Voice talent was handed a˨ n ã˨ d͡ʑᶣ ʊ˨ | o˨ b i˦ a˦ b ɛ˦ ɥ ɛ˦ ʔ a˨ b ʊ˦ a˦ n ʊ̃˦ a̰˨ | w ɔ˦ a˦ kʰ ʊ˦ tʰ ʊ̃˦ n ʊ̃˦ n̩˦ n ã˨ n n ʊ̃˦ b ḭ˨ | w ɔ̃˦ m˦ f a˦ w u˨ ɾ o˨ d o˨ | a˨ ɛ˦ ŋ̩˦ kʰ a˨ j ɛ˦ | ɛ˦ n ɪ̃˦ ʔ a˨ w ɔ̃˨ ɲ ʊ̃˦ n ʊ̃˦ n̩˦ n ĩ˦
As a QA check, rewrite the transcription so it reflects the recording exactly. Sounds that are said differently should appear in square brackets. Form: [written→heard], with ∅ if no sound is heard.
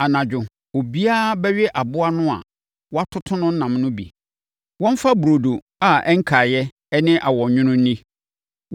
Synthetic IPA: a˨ n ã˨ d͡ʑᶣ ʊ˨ | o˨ b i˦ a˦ b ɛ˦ ɥ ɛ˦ ʔ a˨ b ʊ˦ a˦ n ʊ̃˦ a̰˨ | w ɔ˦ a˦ [kʰ→tʰ] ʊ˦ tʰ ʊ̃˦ n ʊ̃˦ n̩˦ n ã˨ [n→m] n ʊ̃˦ b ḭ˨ | w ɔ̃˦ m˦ f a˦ [w→b] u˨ ɾ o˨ d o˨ | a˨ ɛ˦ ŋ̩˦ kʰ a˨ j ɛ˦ | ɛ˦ n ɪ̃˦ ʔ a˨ w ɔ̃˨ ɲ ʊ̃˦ n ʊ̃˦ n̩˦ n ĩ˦